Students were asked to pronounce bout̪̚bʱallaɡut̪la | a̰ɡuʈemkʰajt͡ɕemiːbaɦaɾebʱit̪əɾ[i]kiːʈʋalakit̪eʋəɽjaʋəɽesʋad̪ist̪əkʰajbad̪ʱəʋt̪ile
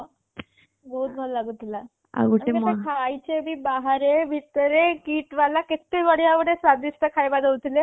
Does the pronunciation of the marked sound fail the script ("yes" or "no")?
yes